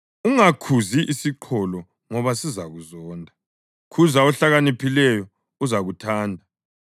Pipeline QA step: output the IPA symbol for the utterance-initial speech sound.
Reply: u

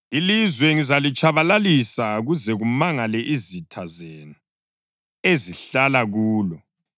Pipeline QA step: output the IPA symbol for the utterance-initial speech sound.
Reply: i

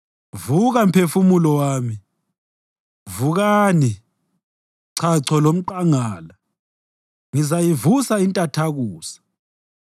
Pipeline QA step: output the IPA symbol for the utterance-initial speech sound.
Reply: v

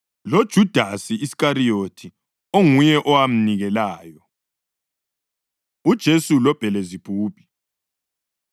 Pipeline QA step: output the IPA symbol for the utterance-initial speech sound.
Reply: l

